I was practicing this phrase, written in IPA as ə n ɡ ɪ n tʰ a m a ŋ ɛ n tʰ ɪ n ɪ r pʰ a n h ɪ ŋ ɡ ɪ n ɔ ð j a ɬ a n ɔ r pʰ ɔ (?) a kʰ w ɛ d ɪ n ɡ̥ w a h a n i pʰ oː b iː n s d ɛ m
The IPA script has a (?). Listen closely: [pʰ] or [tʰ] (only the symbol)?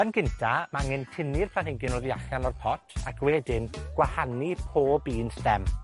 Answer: tʰ